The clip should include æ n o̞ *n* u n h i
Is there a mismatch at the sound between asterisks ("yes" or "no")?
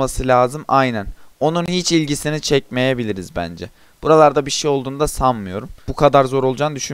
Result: no